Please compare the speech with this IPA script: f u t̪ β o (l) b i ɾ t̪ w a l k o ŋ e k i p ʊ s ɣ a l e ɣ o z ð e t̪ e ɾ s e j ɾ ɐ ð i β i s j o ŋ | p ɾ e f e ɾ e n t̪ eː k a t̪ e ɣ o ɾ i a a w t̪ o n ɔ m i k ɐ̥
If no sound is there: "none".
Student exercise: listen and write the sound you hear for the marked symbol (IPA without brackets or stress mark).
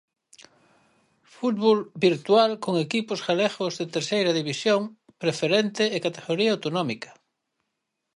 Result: l